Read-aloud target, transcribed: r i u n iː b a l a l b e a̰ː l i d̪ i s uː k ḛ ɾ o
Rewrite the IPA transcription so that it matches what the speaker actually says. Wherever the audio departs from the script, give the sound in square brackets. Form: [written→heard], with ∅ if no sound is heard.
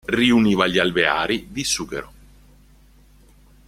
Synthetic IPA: r i u n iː [b→v] a [l→ʎ] a l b e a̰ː [l→ɾ] i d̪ i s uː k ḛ ɾ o